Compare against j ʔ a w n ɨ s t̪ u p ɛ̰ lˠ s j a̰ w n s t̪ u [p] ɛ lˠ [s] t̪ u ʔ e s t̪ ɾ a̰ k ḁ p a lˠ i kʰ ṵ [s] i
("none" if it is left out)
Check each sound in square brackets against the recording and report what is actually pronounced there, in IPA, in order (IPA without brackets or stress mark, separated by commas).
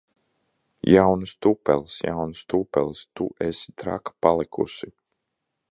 p, s, s